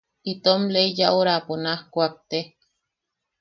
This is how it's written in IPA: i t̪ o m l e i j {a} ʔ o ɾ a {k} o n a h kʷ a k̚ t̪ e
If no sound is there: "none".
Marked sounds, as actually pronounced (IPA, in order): a, p

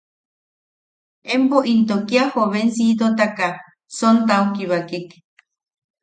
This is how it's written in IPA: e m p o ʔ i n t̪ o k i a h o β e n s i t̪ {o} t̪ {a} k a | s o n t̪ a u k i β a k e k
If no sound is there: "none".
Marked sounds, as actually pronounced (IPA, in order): o, a

